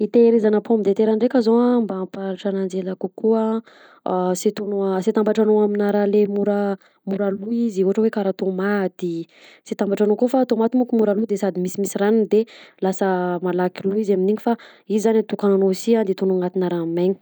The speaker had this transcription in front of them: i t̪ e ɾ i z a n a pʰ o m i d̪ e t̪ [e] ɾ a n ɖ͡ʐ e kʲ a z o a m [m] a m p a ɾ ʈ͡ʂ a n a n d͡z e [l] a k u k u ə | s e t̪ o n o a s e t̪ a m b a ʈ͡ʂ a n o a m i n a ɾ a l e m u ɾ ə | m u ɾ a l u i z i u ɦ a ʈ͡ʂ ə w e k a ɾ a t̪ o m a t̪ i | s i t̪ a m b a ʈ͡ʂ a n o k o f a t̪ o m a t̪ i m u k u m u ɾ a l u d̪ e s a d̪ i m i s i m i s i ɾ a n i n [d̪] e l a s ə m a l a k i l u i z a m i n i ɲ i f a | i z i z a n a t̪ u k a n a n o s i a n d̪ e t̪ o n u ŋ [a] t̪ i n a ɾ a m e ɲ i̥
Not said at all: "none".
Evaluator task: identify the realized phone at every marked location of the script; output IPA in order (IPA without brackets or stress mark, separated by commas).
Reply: e, b, l, d̪, a